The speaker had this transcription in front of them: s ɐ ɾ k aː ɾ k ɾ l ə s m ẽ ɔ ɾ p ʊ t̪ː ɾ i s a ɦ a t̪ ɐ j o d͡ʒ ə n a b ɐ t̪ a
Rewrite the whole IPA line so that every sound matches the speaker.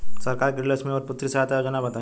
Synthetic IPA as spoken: s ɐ ɾ k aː ɾ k ɾ l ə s m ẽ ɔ ɾ p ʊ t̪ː ɾ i s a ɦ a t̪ a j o d͡ʒ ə n a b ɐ t̪ a